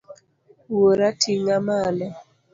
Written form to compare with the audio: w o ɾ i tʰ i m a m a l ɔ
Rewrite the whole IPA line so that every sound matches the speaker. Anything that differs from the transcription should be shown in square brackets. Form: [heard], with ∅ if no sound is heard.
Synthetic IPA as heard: w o ɾ [a] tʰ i [ŋ] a m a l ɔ